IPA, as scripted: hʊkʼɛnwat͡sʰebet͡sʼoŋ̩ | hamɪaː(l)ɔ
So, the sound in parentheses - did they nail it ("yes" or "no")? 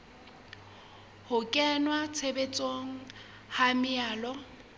yes